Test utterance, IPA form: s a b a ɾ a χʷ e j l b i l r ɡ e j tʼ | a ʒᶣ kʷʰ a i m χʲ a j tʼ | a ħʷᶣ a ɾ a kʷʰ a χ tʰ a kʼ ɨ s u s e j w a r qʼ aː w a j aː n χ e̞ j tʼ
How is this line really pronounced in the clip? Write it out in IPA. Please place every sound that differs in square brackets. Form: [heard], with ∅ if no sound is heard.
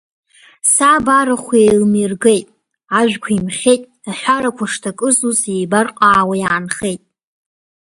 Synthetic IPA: s a b a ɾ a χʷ e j l [m] i [∅] r ɡ e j tʼ | a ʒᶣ kʷʰ a i m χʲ [e] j tʼ | a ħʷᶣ a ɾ a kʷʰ a [ʂ] tʰ a kʼ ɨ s u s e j [b] a r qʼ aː w a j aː n χ e̞ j tʼ